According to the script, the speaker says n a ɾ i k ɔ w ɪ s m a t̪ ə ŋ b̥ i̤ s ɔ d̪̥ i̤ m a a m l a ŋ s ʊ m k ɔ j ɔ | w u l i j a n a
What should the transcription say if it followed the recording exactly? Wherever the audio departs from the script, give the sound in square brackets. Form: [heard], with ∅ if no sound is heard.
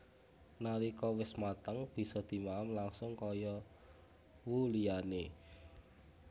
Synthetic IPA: n a ɾ i k ɔ w ɪ s m a t̪ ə ŋ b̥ i̤ s ɔ d̪̥ i̤ m a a m l a ŋ s ʊ [ŋ] k ɔ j ɔ | w u l i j a n [e]